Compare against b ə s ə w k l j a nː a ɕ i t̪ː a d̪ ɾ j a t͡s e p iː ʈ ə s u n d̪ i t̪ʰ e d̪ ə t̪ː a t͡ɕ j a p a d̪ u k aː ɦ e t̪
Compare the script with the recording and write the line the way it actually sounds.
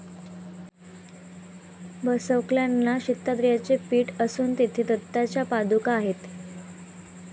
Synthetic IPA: b ə s ə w k l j a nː a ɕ i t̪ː a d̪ ɾ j a t͡s e p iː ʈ ə s uː n t̪ i t̪ʰ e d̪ ə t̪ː a t͡ɕ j a p a d̪ u k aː ɦ e t̪